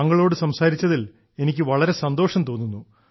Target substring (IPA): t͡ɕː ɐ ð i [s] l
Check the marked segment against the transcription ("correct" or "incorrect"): incorrect